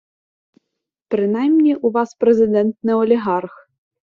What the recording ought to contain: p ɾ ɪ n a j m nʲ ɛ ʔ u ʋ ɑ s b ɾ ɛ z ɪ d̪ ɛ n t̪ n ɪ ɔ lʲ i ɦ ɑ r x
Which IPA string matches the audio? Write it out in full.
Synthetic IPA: p ɾ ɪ n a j m nʲ i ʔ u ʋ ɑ s p ɾ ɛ z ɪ d̪ ɛ n t̪ n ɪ ɔ lʲ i ɦ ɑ r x